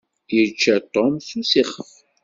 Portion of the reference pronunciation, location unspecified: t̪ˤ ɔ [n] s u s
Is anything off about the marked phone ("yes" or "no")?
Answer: yes